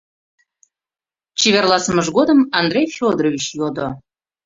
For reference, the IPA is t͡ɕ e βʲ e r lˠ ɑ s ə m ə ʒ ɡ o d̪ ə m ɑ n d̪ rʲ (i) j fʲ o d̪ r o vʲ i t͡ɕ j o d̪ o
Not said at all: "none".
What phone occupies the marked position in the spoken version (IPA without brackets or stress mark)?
e